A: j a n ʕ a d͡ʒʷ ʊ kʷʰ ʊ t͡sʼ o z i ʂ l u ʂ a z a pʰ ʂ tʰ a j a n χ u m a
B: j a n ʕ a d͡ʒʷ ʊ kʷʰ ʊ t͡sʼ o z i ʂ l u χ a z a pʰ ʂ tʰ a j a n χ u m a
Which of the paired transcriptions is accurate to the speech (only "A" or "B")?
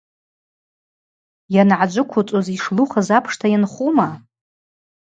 B